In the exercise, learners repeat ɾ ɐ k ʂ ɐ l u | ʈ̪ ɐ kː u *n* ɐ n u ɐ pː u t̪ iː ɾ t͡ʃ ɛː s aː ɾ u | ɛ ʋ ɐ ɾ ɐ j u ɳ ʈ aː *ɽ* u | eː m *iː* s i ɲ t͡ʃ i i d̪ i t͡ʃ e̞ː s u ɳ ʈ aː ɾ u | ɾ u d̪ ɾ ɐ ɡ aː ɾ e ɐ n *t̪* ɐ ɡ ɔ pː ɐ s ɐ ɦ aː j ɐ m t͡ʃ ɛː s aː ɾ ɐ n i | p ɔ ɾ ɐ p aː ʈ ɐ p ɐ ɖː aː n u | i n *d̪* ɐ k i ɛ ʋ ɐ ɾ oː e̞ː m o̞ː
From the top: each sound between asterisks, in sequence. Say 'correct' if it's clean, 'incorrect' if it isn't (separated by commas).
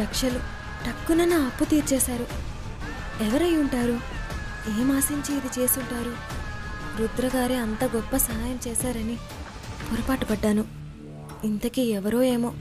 correct, incorrect, incorrect, correct, incorrect